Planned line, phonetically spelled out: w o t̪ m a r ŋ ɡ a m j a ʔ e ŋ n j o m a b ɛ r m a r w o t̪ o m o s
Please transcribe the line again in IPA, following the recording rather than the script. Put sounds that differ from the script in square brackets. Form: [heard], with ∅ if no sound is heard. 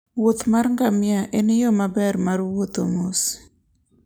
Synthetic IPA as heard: w o t̪ m a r ŋ ɡ a m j a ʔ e [∅] n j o m a b ɛ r m a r w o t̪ o m o s